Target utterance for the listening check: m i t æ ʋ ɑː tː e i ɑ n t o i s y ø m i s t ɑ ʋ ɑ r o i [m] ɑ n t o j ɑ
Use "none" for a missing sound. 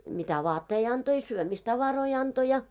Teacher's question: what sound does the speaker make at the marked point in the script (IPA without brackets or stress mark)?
none